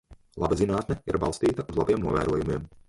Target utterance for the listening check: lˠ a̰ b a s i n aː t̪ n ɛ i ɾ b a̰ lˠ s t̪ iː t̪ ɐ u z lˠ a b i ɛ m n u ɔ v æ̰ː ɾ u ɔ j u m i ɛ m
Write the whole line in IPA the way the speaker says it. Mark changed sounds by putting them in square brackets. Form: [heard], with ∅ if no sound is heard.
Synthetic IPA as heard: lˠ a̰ b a [z] i n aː t̪ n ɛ i ɾ b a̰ lˠ s t̪ iː t̪ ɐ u z lˠ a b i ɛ m n u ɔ v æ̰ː ɾ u ɔ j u m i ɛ m